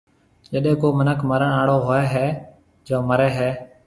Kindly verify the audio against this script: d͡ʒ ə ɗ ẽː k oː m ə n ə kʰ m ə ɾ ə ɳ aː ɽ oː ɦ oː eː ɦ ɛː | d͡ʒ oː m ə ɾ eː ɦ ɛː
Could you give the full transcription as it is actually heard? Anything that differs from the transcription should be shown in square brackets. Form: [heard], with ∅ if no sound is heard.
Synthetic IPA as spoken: d͡ʒ ə ɗ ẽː k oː m ə n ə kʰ m ə ɾ ə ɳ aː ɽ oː ɦ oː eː ɦ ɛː | d͡ʒ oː m ə ɾ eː ɦ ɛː